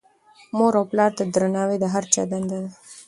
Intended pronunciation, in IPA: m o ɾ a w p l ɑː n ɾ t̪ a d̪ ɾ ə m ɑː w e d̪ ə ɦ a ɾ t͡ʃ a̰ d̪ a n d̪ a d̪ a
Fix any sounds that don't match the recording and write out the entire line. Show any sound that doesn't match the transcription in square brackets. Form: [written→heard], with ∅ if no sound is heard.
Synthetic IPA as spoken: m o ɾ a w p l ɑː [n→∅] ɾ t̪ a d̪ ɾ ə [m→n] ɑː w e d̪ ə ɦ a ɾ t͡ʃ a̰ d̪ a n d̪ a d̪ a

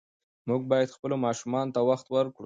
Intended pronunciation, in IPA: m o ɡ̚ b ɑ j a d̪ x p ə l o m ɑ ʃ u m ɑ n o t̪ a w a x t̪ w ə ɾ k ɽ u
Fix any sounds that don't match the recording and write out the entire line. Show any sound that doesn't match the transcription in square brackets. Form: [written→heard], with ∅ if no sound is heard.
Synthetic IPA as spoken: m [o→u] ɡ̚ b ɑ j a d̪ x p ə l o m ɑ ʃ u m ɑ n o t̪ a w a x t̪ w ə ɾ k ɽ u

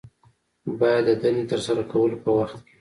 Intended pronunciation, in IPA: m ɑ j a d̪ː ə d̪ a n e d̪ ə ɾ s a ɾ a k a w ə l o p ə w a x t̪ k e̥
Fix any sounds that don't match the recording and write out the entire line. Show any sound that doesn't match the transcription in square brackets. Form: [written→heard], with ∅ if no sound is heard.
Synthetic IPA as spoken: [m→b] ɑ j a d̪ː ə d̪ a n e [d̪→t̪] ə ɾ s a ɾ a k a w ə l o p ə w a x t̪ k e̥

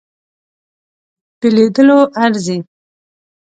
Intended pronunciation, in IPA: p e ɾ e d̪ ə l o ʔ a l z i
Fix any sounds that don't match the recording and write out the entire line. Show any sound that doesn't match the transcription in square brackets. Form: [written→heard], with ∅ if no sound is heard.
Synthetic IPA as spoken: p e [ɾ→l] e d̪ ə l o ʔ a [l→ɾ] z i

